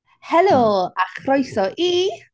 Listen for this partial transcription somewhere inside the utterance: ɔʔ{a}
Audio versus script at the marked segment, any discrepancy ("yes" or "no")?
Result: yes